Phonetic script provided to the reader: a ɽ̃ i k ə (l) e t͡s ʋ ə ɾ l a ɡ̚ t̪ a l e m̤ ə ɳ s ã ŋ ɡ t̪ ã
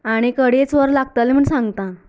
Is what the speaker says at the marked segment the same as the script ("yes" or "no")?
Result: no